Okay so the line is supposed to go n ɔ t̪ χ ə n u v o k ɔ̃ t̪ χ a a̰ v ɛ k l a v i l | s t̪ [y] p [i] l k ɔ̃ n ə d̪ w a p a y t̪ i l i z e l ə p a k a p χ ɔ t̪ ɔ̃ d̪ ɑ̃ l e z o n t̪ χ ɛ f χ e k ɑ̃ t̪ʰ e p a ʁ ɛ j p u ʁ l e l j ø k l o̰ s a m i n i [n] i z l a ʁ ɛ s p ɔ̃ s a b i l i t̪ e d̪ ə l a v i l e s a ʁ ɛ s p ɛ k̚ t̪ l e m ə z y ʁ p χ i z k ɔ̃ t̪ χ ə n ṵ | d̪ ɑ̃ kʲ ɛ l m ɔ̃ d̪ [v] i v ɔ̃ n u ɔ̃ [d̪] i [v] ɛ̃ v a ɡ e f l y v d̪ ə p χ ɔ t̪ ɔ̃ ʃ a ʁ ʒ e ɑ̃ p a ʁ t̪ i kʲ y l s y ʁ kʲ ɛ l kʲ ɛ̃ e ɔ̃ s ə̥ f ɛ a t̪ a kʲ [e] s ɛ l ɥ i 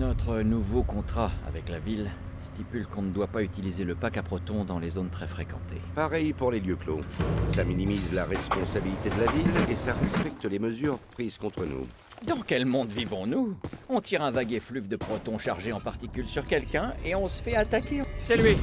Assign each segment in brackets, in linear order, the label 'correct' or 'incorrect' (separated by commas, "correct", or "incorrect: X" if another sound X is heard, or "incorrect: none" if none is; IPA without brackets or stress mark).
incorrect: i, incorrect: y, incorrect: m, correct, incorrect: t̪, incorrect: ʁ, correct